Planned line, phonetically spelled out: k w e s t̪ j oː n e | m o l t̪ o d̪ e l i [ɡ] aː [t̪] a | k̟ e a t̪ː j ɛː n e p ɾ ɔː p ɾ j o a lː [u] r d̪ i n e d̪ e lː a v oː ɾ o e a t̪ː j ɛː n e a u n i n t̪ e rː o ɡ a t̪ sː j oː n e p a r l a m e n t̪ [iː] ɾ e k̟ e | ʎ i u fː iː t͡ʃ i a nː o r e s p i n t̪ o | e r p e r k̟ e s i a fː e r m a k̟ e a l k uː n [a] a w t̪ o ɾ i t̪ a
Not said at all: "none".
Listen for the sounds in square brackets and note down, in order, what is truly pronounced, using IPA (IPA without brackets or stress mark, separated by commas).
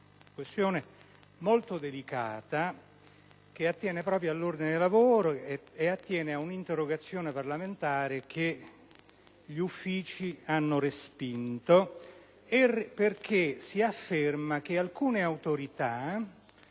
k, t̪, o, aː, e